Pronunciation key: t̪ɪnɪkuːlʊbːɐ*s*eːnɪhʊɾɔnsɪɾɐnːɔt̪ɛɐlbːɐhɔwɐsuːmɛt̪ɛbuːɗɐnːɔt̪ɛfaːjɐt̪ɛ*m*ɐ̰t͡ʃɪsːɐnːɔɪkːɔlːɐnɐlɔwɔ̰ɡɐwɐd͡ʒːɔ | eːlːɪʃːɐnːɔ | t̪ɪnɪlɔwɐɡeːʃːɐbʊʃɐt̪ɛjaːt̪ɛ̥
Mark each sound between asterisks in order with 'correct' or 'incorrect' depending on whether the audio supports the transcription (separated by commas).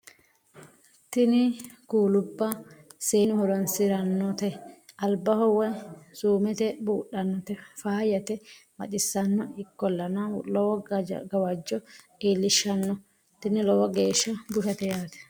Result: correct, correct